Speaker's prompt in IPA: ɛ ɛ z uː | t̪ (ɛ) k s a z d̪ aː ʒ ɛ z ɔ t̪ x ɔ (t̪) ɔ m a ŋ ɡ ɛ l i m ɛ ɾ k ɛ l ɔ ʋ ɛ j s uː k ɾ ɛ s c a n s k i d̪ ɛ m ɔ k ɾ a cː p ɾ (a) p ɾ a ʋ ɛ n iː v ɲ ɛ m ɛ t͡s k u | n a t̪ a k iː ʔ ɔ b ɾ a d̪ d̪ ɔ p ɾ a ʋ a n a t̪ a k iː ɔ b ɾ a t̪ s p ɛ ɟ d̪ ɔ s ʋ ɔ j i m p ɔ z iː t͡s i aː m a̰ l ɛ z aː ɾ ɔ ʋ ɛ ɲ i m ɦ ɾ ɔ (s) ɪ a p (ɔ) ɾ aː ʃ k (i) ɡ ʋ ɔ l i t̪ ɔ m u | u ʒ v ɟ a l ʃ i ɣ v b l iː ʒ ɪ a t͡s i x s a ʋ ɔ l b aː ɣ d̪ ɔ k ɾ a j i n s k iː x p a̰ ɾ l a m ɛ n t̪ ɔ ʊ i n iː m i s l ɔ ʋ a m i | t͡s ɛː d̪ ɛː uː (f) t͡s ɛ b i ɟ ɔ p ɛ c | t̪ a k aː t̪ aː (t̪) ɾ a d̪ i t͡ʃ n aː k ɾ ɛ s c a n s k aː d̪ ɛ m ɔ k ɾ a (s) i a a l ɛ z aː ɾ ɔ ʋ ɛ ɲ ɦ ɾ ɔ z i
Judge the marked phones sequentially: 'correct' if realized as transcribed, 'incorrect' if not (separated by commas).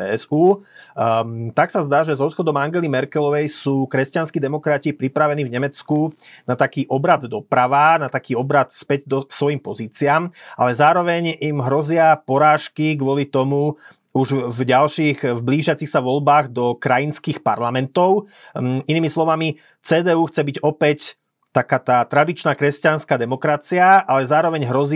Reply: incorrect, incorrect, incorrect, incorrect, correct, correct, incorrect, correct, incorrect